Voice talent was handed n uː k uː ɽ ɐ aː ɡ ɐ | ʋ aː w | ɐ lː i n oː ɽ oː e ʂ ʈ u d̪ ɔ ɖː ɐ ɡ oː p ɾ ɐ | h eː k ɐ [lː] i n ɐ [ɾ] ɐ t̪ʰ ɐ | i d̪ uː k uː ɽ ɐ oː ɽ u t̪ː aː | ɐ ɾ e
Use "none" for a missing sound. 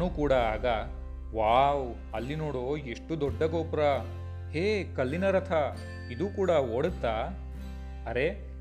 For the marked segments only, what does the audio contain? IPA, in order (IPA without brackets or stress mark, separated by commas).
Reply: lː, ɾ